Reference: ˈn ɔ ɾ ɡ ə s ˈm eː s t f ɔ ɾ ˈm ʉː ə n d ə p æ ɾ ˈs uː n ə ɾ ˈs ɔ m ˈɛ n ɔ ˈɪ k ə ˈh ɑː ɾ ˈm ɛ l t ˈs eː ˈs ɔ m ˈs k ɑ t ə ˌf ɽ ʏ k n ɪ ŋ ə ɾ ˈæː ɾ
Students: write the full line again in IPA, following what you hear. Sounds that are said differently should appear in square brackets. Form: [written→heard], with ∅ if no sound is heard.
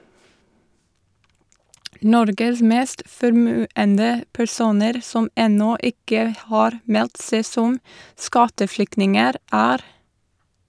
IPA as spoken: ˈn ɔ ɾ ɡ ə s ˈm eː s t f ɔ ɾ ˈm ʉː ə n d ə p æ ɾ ˈs uː n ə ɾ ˈs ɔ m ˈɛ n ɔ ˈɪ k ə ˈh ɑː ɾ ˈm ɛ l t ˈs eː ˈs ɔ m ˈs k ɑ t ə ˌf [ɽ→l] ʏ k n ɪ ŋ ə ɾ ˈæː ɾ